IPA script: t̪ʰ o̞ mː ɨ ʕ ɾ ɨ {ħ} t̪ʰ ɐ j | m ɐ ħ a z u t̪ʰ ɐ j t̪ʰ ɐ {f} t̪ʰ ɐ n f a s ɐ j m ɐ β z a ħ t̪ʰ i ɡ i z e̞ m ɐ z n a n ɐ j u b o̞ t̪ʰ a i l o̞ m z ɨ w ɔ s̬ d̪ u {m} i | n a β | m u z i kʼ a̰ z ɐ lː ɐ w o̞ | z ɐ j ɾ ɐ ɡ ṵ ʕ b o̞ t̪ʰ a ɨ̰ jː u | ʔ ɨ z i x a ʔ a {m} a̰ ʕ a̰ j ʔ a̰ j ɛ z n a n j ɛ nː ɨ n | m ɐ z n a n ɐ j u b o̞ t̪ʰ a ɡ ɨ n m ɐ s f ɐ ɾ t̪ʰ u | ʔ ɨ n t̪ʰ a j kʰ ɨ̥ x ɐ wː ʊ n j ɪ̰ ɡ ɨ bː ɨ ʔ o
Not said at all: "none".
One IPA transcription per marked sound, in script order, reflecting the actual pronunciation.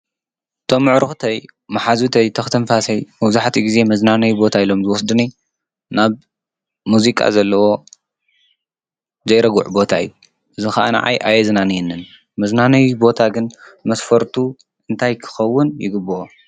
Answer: x, x, n, n

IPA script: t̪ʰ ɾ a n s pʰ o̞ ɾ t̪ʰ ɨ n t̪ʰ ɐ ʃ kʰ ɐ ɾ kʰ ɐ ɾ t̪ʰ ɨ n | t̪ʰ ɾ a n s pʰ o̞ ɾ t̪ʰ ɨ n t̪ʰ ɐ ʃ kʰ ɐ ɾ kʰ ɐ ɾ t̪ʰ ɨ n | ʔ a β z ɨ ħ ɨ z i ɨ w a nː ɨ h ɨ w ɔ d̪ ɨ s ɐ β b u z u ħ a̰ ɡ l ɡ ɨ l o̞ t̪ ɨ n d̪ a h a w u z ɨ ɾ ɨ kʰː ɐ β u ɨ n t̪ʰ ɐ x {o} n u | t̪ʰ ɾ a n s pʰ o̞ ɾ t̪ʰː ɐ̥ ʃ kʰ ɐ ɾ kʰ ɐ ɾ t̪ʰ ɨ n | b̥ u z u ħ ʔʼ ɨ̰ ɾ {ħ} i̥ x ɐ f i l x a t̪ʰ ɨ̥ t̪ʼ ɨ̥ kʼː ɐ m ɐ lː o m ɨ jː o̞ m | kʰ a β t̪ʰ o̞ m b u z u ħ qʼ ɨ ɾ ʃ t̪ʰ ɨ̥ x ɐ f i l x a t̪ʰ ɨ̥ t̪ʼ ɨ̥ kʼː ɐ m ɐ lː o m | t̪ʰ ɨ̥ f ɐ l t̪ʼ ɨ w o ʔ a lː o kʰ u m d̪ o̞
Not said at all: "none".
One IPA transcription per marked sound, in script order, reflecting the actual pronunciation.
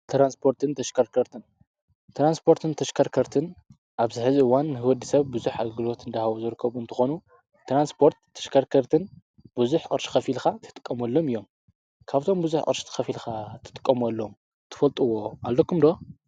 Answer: o, ʃ

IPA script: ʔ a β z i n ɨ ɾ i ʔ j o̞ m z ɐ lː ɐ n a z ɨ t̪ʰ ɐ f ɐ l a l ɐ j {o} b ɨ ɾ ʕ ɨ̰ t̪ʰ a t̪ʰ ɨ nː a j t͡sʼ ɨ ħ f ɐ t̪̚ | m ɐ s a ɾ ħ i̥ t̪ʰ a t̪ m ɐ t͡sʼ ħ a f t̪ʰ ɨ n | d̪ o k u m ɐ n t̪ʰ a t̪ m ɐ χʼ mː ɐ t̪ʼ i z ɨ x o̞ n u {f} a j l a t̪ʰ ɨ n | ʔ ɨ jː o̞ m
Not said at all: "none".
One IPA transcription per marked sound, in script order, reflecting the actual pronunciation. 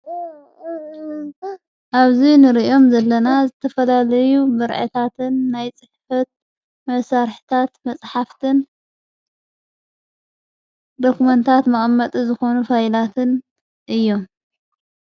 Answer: u, f

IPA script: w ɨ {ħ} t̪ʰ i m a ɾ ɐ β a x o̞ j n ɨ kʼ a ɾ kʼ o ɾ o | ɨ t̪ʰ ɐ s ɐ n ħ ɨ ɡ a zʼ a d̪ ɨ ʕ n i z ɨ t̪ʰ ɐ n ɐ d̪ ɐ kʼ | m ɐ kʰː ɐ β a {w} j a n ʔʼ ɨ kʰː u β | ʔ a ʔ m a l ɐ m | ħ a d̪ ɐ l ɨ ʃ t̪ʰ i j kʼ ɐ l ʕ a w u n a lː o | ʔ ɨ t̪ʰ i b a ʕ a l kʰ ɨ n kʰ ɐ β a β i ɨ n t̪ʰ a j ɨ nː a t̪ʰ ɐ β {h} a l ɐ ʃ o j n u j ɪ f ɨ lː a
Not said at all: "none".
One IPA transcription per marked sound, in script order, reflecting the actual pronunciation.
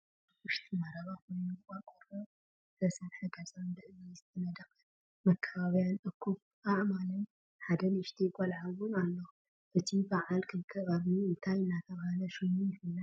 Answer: ʃ, β, h

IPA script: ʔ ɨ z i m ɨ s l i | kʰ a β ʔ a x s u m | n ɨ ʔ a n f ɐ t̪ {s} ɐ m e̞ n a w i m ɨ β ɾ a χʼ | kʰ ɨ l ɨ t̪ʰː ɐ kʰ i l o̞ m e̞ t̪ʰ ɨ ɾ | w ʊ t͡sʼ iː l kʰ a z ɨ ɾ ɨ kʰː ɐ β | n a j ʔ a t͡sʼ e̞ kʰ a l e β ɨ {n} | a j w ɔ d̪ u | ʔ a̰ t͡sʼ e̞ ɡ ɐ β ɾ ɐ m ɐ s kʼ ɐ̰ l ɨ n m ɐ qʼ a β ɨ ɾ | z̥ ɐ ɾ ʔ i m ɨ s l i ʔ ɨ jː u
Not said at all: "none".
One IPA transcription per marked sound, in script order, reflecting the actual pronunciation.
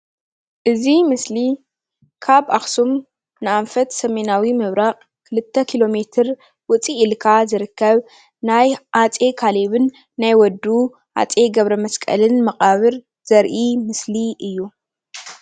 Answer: s, nː

